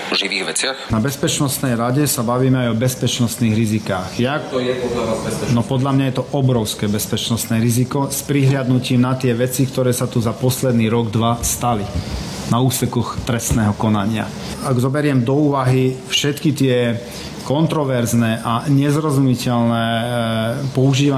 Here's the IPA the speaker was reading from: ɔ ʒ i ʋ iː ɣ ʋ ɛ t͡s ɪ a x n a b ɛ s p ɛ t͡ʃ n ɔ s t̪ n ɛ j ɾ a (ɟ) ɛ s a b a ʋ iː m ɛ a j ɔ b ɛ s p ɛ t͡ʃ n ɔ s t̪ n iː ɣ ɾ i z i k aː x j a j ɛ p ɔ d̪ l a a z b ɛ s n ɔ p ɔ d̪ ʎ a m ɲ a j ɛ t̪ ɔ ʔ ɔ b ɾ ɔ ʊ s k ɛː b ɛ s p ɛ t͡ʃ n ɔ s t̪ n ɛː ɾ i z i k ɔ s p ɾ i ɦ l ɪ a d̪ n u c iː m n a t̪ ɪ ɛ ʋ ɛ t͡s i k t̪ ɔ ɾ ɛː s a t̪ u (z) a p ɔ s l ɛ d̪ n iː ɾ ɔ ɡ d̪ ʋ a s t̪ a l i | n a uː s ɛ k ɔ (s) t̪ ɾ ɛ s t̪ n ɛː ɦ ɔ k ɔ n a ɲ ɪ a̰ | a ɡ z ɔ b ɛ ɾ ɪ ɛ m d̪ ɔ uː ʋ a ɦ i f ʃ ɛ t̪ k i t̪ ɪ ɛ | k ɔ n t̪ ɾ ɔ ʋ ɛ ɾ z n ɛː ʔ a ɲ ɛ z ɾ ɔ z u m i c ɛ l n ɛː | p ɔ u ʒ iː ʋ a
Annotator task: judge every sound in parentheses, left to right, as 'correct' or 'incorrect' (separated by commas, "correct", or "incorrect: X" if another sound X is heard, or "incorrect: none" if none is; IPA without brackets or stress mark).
correct, correct, incorrect: x